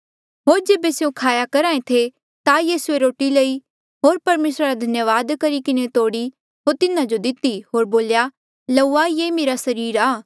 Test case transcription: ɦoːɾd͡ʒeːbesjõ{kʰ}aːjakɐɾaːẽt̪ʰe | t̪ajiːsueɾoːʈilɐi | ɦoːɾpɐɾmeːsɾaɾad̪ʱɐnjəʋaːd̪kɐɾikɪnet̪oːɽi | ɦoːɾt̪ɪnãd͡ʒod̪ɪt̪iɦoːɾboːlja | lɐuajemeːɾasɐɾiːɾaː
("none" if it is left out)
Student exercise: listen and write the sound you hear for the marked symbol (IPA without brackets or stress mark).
kʰ